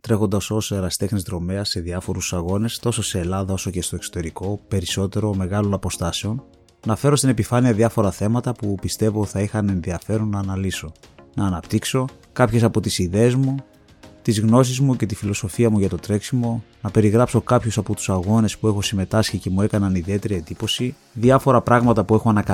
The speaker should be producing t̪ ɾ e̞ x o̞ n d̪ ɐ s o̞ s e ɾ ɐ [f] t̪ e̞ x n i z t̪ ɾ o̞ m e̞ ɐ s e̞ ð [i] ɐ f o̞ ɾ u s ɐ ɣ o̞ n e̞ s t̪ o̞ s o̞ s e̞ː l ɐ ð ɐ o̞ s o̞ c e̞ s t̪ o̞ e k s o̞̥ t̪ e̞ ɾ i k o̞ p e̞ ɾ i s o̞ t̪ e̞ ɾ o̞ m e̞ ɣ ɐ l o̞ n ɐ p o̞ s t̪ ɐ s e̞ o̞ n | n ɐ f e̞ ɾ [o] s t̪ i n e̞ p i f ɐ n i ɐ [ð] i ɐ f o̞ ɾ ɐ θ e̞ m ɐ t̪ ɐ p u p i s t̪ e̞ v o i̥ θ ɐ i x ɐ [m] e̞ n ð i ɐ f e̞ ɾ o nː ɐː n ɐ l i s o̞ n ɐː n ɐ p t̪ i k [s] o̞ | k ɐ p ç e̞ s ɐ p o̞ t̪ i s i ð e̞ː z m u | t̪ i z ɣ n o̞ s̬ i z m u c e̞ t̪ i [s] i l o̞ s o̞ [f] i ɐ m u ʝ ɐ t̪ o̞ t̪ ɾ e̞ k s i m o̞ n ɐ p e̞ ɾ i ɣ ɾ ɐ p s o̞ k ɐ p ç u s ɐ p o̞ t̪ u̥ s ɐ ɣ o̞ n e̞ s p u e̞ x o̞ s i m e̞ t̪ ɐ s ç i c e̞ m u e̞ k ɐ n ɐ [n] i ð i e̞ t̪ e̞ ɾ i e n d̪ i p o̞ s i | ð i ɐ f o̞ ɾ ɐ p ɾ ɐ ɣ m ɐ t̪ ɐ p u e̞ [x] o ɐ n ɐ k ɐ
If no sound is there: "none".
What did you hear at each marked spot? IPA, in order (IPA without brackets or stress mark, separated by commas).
s, i, o, ð, n, s, f, f, n, x